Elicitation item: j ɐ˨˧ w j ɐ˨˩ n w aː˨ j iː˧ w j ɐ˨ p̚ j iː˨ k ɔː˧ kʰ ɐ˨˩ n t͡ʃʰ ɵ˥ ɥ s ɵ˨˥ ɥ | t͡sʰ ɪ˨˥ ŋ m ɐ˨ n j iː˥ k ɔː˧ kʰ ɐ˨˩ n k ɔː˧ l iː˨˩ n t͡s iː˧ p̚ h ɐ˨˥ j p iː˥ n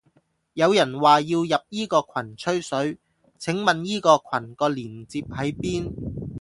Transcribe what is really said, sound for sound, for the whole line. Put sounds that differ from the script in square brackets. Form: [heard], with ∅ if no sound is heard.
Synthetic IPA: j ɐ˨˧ w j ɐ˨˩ n w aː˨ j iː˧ w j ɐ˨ p̚ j [iː˥] k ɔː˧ kʰ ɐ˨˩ n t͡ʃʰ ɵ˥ ɥ s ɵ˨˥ ɥ | t͡sʰ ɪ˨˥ ŋ m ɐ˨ n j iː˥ k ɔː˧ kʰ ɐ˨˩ n k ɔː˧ l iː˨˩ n t͡s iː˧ p̚ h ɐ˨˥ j p iː˥ n